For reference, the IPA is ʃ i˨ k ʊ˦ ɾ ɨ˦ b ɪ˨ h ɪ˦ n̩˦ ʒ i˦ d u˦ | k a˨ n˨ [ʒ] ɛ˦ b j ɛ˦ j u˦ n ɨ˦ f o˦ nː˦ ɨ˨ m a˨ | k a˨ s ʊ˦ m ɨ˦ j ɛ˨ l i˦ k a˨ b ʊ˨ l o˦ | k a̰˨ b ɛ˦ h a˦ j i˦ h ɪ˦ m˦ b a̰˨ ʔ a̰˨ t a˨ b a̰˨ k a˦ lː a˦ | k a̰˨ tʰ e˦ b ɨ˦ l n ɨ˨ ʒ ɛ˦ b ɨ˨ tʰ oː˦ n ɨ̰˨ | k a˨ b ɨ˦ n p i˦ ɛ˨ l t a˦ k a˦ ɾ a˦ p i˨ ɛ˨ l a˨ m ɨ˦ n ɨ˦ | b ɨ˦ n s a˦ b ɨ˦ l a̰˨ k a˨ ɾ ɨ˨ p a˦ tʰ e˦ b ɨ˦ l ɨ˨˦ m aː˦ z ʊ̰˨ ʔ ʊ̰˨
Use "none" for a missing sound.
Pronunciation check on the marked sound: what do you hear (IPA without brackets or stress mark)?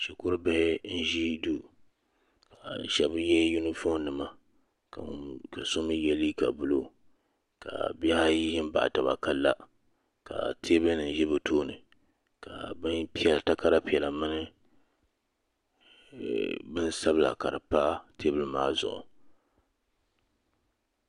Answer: ʃ